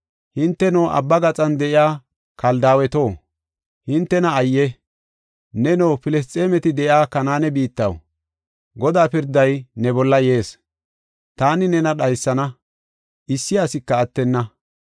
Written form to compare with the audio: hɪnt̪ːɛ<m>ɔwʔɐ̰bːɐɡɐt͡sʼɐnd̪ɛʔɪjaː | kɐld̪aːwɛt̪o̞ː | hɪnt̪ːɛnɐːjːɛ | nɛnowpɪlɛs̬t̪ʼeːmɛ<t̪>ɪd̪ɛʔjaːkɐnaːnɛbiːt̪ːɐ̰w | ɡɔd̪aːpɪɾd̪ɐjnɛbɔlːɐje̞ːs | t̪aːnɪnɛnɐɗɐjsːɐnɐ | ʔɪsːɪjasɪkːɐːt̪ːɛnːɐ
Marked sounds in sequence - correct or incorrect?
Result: incorrect: n, correct

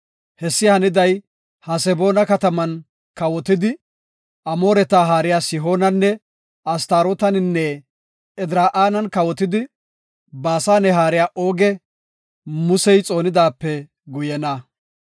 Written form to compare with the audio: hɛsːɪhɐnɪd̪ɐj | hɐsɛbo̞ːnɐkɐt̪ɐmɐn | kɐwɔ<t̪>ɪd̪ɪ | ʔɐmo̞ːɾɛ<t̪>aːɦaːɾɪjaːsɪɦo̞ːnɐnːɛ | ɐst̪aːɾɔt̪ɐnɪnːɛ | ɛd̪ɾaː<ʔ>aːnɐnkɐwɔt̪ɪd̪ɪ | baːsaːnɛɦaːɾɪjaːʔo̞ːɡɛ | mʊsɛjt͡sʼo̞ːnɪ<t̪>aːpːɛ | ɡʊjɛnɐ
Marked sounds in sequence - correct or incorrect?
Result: correct, correct, correct, incorrect: d̪

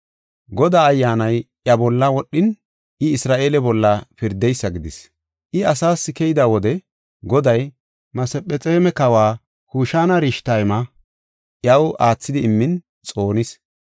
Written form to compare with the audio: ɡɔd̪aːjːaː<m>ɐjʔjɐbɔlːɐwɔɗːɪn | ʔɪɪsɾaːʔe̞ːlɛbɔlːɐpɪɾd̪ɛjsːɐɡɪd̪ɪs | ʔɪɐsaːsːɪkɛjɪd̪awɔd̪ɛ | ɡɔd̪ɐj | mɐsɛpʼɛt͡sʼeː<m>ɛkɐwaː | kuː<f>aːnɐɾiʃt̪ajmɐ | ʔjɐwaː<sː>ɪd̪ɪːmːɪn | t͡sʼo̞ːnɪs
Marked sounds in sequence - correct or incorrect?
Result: incorrect: n, correct, incorrect: ʃ, incorrect: t͡sː

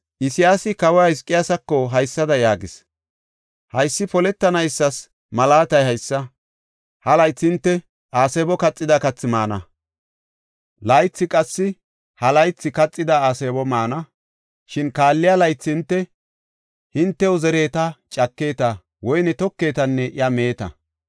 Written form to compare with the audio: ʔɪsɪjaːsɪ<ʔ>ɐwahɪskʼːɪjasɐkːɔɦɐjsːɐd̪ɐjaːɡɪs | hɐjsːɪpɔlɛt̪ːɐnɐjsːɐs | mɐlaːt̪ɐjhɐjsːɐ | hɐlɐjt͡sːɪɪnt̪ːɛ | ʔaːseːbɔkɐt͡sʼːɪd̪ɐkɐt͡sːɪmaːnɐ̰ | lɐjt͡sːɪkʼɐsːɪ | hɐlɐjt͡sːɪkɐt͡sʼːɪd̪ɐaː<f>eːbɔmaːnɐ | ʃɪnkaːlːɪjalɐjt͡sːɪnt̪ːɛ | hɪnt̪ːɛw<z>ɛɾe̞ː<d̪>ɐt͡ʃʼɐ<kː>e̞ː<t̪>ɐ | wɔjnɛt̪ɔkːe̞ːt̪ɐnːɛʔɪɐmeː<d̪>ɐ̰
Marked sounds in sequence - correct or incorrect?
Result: incorrect: k, incorrect: s, correct, incorrect: t̪, correct, correct, incorrect: t̪

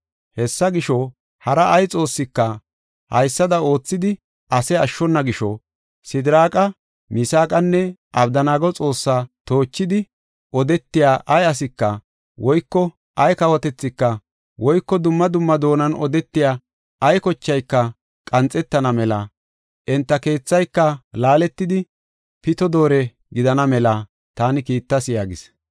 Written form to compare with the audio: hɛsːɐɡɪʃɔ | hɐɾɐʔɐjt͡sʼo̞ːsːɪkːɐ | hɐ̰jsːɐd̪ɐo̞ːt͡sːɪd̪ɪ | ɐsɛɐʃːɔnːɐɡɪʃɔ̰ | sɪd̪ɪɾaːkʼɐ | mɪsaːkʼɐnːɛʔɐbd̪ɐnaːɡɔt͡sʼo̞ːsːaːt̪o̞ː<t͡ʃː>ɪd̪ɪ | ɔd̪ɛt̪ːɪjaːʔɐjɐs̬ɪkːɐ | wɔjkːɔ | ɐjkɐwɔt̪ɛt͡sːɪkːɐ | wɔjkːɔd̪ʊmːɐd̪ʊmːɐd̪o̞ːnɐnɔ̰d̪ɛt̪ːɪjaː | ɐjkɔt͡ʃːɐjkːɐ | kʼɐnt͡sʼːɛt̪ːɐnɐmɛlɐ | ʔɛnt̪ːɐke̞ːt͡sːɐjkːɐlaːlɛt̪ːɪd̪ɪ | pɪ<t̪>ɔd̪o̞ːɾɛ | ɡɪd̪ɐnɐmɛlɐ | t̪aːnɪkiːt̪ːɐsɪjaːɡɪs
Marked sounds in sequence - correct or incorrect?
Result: correct, correct

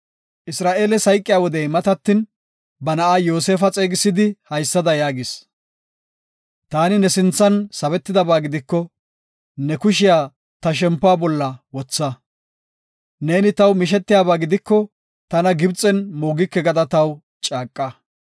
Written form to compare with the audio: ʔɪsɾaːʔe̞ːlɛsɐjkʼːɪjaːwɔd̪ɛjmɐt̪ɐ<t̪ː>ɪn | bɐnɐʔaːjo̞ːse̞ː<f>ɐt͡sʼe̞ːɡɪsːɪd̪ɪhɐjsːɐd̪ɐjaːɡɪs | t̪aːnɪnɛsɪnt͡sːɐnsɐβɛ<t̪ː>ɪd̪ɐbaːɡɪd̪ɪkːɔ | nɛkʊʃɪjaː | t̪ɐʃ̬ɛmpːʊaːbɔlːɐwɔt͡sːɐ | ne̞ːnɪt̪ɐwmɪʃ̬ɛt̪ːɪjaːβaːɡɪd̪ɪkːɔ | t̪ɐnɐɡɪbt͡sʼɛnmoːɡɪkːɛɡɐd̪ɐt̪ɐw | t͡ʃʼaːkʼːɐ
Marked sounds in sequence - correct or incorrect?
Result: correct, correct, correct

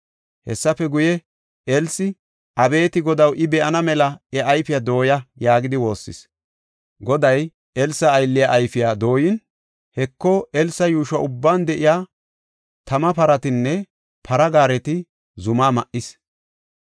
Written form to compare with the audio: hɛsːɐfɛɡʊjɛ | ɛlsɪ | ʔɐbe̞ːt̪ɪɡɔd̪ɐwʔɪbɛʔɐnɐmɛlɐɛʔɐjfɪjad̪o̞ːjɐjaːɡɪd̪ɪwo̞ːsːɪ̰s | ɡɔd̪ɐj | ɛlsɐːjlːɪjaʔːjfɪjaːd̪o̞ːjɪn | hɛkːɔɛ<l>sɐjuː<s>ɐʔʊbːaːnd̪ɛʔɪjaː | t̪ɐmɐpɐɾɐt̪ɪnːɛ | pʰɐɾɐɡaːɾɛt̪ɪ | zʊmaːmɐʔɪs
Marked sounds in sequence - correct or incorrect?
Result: correct, incorrect: ʃ

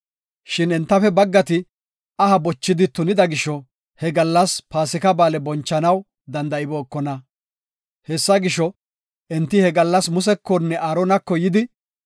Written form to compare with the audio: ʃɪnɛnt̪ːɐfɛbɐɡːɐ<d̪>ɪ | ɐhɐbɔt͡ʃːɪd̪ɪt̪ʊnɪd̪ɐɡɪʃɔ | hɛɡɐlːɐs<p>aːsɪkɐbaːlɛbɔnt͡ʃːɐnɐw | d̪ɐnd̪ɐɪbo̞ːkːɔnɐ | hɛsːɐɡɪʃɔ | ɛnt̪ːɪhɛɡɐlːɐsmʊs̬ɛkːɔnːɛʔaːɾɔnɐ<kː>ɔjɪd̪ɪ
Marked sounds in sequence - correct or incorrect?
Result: incorrect: t̪, correct, correct

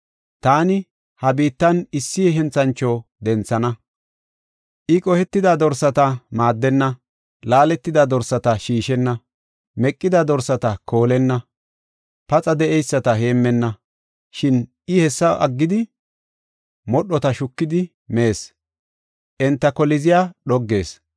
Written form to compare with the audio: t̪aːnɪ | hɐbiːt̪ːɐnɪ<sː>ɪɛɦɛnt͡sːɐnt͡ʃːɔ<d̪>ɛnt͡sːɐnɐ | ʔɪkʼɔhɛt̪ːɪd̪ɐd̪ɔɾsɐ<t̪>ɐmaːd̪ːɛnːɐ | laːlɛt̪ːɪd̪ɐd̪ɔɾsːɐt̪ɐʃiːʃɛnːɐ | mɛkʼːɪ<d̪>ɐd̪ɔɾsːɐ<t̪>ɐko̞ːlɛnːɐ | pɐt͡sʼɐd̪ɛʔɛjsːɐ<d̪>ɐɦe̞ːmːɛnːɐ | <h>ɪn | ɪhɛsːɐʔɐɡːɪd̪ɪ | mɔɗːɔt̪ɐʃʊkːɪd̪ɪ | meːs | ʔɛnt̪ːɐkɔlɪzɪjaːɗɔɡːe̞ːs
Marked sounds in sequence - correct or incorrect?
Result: correct, correct, correct, correct, correct, incorrect: t̪, incorrect: ʃ

